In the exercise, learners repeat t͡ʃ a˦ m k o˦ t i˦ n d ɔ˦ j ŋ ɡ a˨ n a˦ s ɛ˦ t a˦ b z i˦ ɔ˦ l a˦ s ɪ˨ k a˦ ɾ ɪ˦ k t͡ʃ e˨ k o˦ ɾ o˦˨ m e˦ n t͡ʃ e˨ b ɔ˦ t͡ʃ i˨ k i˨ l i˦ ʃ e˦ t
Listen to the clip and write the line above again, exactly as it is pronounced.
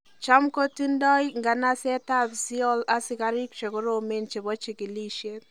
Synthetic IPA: t͡ʃ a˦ m k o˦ t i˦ n d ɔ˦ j ŋ ɡ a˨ n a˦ s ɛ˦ t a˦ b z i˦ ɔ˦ l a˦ s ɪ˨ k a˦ ɾ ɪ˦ k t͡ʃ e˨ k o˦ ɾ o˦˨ m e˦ n t͡ʃ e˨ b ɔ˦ t͡ʃ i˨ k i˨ l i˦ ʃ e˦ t